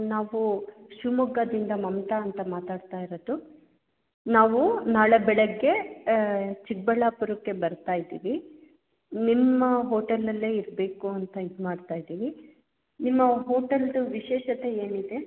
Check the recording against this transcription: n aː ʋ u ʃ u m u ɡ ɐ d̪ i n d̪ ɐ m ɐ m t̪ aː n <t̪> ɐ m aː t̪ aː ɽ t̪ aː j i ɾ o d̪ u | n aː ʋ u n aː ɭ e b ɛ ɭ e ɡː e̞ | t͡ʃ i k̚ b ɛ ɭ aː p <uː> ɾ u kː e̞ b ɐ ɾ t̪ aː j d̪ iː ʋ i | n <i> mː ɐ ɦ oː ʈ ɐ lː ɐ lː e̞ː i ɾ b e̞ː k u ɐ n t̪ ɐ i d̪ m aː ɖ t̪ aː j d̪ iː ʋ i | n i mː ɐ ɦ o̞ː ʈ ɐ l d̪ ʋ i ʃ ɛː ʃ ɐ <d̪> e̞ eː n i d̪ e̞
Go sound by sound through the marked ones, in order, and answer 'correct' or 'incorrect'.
correct, incorrect: u, correct, incorrect: t̪

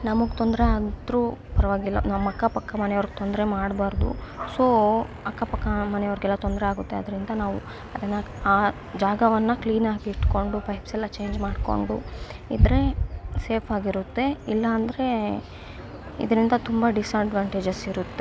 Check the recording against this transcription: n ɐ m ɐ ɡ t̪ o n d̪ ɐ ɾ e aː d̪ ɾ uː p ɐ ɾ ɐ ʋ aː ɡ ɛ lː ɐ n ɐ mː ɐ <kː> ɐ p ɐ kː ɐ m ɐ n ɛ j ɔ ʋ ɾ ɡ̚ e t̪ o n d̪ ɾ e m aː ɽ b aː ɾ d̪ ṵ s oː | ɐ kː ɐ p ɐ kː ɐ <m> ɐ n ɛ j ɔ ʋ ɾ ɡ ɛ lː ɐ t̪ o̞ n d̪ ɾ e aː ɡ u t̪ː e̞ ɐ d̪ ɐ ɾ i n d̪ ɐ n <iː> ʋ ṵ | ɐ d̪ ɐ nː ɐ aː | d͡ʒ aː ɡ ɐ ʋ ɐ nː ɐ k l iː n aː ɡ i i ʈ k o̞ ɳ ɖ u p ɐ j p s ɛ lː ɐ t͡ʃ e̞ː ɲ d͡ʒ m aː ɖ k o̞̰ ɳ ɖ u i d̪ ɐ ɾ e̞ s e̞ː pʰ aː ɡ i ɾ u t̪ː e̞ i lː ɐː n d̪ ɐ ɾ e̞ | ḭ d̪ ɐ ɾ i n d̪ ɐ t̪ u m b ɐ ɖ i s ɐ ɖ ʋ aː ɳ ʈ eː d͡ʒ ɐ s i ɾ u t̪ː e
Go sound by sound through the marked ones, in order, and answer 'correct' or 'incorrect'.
correct, correct, incorrect: aː

